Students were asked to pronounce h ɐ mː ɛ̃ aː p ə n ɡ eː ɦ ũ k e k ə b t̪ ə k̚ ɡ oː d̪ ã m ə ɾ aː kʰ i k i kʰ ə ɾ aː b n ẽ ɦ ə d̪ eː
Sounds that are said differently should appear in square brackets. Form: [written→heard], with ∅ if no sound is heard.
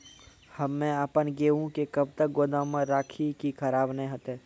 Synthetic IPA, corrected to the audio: h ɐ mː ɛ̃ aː p ə n ɡ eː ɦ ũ k e k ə b t̪ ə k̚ ɡ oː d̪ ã m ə ɾ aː kʰ i k i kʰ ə ɾ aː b n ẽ ɦ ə [d̪→t̪] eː

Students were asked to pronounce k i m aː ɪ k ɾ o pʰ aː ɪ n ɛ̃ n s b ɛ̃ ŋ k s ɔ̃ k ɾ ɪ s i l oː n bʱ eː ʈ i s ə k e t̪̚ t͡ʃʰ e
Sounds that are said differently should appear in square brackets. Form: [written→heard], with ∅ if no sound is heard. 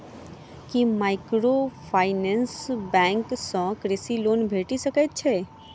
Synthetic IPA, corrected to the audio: k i m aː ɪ k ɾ o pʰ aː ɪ n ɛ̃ n s b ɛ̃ ŋ k s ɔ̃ k ɾ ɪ s i l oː n bʱ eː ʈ i s ə k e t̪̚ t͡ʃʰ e

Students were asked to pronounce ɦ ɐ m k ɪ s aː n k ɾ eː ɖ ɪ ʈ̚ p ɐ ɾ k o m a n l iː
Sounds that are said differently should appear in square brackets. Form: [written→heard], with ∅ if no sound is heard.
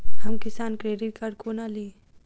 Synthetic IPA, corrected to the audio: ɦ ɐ m k ɪ s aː n k ɾ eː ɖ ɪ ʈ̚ [p→k] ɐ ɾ k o [m→n] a [n→∅] l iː

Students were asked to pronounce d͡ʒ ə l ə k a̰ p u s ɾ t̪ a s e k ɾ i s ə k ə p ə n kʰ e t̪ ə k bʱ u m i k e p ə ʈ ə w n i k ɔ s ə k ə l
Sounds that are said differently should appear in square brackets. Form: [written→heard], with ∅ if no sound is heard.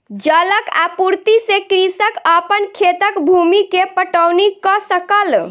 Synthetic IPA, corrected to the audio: d͡ʒ ə l ə k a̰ p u [s→∅] ɾ t̪ [a→i] s e k ɾ i s ə k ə p ə n kʰ e t̪ ə k bʱ u m i k e p ə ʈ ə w n i k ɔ s ə k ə l

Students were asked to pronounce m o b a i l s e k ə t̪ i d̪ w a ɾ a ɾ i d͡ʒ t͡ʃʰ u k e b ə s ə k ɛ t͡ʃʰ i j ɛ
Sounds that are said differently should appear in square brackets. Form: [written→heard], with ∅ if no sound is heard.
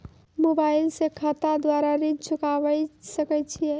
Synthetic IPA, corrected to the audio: m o b a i l s e [k→kʰ] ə t̪ [i→a] d̪ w a ɾ a ɾ i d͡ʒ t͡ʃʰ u k [e→a] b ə s ə k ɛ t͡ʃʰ i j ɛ

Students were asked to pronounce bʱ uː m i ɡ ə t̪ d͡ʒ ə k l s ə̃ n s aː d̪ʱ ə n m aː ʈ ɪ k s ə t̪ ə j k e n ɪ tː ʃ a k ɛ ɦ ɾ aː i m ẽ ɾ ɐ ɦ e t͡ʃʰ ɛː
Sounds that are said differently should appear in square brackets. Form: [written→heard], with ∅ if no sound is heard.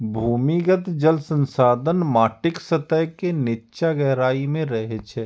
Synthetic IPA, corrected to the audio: bʱ uː m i ɡ ə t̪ d͡ʒ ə [k→∅] l s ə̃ n s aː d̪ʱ ə n m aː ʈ ɪ k s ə t̪ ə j k e n ɪ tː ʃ a [k→ɡ] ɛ ɦ ɾ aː i m ẽ ɾ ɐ ɦ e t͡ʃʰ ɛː

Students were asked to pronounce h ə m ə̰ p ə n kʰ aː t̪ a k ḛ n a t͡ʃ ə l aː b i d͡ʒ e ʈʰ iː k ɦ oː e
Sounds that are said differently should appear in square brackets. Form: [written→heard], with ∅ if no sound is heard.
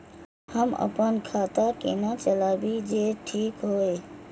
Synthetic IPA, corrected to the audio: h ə m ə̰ p ə n kʰ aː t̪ a k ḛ n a t͡ʃ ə l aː b i d͡ʒ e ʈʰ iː k ɦ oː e

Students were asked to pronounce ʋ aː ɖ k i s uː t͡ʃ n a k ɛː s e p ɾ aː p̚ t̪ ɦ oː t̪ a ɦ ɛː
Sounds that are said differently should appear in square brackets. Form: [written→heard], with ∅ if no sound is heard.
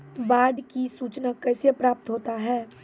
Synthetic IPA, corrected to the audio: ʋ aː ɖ k i s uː t͡ʃ n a k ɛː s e p ɾ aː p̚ t̪ ɦ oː t̪ a ɦ ɛː

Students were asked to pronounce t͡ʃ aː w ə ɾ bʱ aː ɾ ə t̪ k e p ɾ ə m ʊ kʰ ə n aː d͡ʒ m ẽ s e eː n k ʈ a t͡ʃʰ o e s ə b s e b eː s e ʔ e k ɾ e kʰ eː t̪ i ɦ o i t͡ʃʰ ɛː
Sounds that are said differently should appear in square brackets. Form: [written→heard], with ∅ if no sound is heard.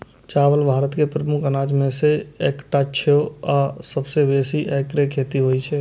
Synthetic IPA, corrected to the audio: t͡ʃ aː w ə [ɾ→l] bʱ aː ɾ ə t̪ k e p ɾ ə m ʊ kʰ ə n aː d͡ʒ m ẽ s e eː [n→∅] k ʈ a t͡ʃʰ o [e→a] s ə b s e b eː s [e→i] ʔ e k ɾ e kʰ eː t̪ i ɦ o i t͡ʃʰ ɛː

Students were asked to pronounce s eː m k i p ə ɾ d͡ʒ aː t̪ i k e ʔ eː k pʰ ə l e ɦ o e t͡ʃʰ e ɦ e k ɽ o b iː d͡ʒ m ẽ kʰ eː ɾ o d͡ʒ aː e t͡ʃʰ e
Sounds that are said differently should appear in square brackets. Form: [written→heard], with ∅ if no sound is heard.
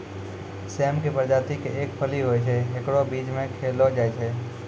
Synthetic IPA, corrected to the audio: s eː m k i p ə ɾ d͡ʒ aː t̪ i k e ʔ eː k pʰ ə l [e→i] ɦ o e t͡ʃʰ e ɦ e k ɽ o b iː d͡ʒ m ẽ kʰ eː [ɾ→l] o d͡ʒ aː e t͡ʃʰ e

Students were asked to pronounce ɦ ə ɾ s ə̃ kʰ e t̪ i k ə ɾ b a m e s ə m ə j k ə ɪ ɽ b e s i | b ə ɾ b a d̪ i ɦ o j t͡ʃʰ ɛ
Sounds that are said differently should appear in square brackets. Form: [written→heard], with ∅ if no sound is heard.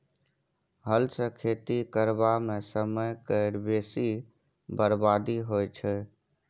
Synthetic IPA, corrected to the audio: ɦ ə [ɾ→l] s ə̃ kʰ e t̪ i k ə ɾ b a m e s ə m ə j k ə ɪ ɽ b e s i | b ə ɾ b a d̪ i ɦ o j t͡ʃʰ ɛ

